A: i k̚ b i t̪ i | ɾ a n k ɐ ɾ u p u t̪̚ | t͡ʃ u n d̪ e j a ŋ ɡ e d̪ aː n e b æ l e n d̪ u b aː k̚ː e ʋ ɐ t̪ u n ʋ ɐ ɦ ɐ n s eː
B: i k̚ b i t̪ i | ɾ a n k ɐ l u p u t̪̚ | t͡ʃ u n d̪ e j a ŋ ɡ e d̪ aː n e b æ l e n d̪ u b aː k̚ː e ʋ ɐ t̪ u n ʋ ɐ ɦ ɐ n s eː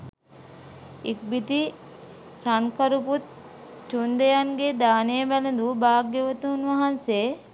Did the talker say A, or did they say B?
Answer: A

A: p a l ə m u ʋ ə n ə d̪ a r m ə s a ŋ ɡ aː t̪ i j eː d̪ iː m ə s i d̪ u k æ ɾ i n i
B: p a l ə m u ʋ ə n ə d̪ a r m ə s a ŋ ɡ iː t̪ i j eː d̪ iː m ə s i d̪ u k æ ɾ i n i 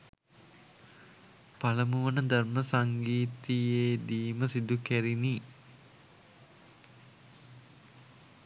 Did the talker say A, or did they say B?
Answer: B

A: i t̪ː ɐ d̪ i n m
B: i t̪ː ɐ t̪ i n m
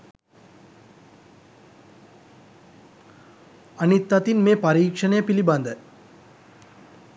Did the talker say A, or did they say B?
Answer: B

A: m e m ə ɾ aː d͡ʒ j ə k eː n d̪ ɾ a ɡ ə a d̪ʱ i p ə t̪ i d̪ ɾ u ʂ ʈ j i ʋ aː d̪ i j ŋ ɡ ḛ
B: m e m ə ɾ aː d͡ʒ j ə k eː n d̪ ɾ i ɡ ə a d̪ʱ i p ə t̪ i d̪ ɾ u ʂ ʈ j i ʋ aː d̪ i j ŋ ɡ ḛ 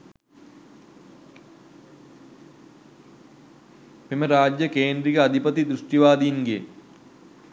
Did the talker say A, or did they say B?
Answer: B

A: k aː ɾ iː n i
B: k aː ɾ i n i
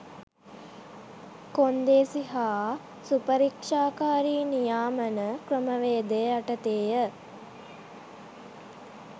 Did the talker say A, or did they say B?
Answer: A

